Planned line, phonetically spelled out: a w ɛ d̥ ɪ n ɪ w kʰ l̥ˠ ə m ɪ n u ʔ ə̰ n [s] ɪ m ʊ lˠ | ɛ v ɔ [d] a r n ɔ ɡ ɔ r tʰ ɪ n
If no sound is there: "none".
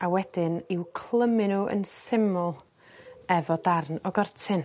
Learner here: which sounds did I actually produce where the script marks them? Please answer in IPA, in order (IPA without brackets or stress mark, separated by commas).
s, d